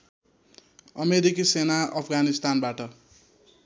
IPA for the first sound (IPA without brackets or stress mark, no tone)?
ʌ